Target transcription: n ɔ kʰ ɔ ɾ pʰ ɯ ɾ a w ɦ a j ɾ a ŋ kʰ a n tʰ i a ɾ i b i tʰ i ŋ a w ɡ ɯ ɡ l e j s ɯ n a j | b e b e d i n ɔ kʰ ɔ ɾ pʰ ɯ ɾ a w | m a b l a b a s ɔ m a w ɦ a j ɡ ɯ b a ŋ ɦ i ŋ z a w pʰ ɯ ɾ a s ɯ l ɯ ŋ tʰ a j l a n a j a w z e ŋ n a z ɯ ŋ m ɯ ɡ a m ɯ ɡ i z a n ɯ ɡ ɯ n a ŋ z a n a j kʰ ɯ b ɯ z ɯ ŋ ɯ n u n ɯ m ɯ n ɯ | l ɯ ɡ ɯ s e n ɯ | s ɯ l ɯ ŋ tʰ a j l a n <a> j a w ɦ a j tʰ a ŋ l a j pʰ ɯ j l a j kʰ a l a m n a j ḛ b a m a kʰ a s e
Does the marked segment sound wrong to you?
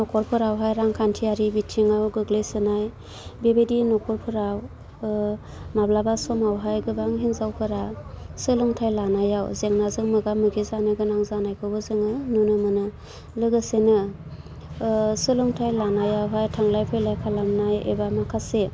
no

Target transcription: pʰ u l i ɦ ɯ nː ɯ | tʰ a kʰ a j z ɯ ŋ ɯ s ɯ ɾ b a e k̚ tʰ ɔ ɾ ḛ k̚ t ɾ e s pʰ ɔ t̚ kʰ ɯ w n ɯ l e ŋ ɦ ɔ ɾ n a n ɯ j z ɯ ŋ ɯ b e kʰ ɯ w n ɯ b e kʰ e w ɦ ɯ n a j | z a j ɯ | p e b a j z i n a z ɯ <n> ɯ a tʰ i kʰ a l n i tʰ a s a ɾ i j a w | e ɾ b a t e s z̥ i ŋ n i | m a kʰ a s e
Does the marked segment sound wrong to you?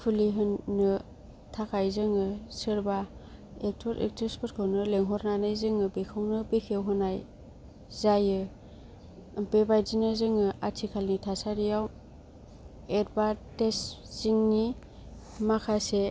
yes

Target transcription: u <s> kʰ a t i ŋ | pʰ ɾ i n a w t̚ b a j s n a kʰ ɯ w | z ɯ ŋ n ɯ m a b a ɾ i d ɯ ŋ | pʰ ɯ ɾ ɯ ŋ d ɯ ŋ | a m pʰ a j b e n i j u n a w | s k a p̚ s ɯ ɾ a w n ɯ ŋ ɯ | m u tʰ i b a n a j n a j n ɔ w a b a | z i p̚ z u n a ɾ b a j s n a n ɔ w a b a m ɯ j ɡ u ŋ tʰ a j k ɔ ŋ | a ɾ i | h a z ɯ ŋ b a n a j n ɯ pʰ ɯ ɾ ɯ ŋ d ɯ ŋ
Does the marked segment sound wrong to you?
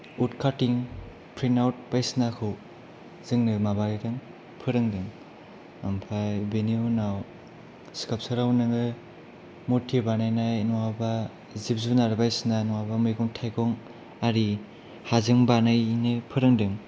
yes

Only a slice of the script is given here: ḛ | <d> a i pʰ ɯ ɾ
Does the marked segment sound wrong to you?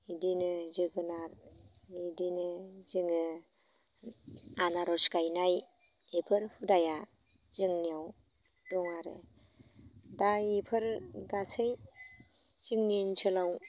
no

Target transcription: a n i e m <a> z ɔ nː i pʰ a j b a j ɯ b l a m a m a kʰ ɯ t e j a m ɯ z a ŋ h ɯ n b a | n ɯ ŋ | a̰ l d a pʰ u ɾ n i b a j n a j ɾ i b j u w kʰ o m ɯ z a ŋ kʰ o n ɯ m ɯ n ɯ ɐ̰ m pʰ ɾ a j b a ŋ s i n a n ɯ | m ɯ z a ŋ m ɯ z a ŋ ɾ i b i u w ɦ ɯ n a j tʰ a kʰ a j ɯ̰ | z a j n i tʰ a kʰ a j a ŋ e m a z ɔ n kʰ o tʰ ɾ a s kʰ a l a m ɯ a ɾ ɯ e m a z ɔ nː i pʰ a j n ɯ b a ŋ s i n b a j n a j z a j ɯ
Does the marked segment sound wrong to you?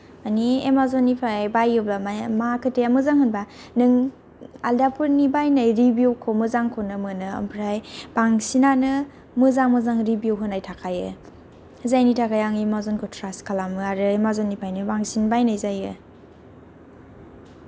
no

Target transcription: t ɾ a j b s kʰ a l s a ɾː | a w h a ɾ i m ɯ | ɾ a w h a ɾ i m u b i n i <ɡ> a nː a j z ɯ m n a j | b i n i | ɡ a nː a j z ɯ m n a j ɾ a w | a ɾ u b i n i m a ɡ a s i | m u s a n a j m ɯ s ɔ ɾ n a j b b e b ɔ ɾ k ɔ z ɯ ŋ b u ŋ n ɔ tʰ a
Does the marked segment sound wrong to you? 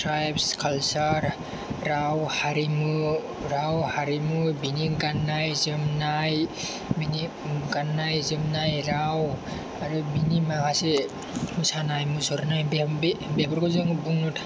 no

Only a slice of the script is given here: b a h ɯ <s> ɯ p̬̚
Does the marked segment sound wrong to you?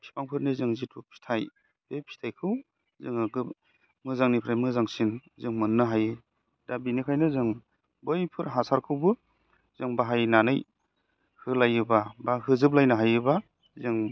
yes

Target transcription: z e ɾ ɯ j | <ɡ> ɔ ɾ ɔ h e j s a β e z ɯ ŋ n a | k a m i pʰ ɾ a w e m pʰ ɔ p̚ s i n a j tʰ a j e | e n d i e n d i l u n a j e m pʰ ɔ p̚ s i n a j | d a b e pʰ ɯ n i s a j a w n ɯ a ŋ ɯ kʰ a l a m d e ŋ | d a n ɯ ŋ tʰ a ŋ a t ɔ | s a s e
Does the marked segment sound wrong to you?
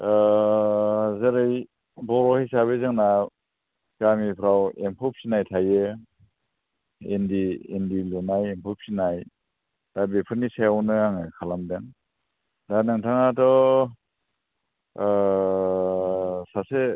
yes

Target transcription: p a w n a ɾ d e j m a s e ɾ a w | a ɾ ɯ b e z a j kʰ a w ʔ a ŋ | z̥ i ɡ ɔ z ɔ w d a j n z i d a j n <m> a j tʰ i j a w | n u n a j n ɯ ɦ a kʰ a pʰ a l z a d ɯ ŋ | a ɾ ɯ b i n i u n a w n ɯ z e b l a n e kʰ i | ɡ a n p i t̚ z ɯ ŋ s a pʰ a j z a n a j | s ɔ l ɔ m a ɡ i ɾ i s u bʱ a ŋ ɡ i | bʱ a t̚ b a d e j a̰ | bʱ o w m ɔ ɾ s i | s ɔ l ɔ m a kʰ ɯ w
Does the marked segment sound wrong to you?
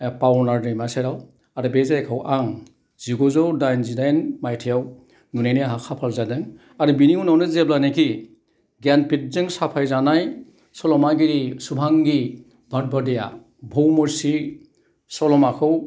no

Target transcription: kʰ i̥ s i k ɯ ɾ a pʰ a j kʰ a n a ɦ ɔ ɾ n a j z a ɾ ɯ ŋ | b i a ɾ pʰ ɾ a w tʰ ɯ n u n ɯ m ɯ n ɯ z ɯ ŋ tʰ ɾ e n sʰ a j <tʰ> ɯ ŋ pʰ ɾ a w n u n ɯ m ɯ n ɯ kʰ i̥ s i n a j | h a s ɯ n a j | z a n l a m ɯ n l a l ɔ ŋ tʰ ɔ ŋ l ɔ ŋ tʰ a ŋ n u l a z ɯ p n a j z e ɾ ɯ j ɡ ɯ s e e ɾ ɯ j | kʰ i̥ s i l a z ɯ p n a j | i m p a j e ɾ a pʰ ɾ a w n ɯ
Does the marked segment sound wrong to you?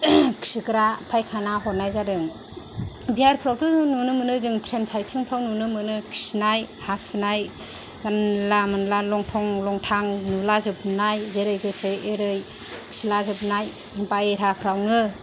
no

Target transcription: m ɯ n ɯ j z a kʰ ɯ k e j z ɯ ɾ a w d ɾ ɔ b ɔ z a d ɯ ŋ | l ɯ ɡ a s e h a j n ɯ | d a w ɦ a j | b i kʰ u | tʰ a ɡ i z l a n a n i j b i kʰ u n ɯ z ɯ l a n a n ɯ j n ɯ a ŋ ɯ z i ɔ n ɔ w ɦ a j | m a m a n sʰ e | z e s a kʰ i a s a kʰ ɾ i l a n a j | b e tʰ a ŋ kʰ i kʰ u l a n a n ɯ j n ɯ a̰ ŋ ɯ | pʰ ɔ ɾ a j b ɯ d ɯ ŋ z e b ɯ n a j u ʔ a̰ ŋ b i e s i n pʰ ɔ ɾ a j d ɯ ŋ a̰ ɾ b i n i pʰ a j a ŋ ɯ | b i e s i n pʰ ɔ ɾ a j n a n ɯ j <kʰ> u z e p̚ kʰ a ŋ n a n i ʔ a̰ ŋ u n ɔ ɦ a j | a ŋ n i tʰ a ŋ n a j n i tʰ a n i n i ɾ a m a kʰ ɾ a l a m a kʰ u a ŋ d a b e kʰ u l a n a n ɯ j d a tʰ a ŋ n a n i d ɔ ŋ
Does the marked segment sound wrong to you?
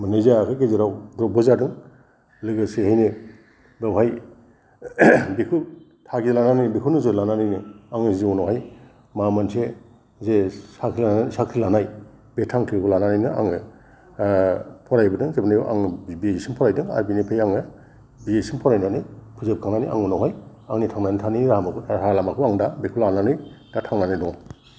yes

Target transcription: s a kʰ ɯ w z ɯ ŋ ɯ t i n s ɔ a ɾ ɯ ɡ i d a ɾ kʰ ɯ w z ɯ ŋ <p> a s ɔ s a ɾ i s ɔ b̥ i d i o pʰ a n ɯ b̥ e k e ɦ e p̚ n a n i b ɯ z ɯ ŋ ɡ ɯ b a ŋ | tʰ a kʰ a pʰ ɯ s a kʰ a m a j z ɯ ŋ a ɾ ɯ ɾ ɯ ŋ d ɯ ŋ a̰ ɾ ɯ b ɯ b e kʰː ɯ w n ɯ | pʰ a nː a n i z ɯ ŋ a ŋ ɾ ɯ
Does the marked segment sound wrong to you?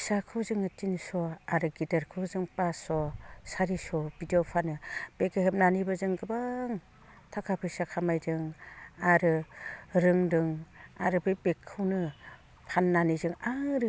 no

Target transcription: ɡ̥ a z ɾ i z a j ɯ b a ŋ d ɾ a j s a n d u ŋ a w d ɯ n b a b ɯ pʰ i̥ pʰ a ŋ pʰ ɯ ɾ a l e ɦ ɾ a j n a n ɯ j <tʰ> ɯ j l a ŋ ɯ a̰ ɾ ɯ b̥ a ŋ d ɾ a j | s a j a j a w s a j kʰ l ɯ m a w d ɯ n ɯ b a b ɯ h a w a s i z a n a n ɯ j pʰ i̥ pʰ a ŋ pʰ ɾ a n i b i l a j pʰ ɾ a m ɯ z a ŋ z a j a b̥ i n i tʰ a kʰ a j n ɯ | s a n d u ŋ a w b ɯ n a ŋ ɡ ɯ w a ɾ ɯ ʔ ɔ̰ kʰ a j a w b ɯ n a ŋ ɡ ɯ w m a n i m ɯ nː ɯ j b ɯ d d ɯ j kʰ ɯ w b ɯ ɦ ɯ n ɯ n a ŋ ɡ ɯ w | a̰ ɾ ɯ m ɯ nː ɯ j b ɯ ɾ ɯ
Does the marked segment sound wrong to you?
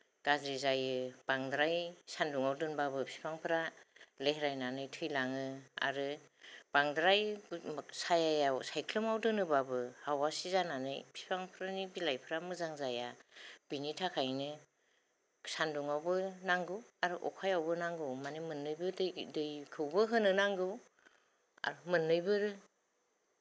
no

